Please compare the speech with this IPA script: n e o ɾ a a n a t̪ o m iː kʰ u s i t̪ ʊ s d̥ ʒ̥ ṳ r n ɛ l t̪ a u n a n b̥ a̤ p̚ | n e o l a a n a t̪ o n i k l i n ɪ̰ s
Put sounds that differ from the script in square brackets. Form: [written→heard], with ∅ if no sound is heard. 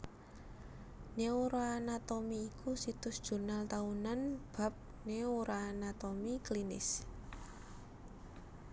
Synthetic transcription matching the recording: n e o ɾ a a n a t̪ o m iː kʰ u s i t̪ ʊ s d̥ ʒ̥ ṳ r n [ɛ→a] l t̪ a u n a n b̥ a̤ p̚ | n e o [l→ɾ] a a n a t̪ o [n→m] i k l i n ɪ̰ s